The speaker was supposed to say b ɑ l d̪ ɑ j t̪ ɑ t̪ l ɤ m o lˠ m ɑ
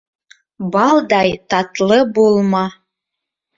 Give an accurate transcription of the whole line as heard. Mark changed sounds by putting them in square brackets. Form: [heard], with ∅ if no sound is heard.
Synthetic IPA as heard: b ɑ l d̪ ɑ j t̪ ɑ t̪ l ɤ [b] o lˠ m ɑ